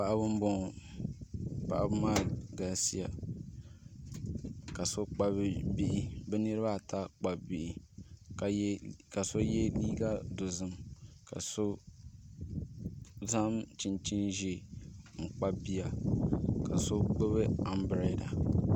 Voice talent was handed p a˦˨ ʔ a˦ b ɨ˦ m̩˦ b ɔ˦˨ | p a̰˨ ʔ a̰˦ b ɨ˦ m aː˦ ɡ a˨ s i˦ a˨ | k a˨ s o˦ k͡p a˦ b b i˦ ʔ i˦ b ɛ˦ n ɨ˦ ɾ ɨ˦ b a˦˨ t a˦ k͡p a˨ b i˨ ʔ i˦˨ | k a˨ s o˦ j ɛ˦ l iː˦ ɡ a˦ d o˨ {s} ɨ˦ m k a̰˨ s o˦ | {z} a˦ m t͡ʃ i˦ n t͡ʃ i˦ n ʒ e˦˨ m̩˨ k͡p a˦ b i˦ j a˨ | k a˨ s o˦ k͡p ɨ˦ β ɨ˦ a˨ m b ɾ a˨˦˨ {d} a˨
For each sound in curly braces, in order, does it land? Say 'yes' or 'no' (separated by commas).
no, yes, yes